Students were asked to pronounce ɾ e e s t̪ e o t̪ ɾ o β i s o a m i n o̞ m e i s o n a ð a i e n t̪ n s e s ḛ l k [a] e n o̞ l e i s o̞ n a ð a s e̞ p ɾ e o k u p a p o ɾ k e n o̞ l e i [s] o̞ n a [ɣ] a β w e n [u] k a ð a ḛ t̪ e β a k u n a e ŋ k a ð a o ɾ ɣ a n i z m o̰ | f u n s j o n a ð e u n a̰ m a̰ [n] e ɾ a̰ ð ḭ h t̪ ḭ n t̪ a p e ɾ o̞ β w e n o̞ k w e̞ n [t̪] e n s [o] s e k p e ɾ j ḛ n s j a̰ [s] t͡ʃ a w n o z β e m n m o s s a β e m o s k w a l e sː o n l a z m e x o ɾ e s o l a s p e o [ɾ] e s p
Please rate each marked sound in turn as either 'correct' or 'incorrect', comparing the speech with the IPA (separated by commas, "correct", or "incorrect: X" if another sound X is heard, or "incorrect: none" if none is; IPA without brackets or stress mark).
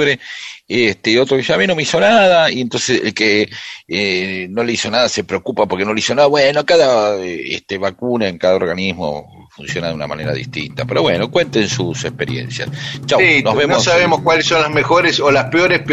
incorrect: e, correct, incorrect: ð, incorrect: o, correct, correct, incorrect: u, correct, correct